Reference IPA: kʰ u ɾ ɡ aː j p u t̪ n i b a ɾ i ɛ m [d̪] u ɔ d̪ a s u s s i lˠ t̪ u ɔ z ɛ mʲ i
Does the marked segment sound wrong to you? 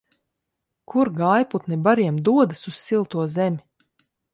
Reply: no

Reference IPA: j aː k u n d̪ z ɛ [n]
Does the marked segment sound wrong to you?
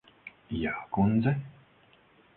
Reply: yes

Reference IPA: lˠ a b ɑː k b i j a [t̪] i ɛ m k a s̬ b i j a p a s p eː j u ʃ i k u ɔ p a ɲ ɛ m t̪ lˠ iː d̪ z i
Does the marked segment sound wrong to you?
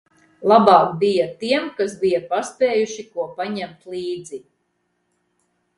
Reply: no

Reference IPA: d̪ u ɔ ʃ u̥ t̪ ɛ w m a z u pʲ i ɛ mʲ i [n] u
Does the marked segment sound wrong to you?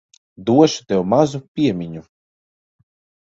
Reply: yes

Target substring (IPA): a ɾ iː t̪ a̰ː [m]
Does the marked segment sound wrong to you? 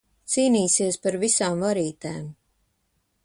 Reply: no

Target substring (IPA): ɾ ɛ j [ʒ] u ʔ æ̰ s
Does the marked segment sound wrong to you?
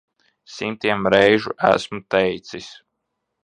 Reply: no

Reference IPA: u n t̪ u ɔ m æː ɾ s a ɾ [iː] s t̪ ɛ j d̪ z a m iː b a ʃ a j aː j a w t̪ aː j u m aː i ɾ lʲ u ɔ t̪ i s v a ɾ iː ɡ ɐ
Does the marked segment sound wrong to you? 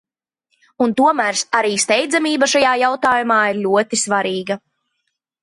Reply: no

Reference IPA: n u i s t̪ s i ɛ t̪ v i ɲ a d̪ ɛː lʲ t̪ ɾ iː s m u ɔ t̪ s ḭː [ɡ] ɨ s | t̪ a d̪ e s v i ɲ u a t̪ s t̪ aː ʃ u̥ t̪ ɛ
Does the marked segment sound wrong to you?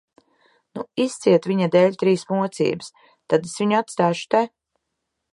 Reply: yes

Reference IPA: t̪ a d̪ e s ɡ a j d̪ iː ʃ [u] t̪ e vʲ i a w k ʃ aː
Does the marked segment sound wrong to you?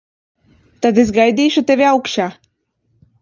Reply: no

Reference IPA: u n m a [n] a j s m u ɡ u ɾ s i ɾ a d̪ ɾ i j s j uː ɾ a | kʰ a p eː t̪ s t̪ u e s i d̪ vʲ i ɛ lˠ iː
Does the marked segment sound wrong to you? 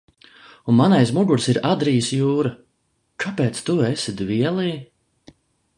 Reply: no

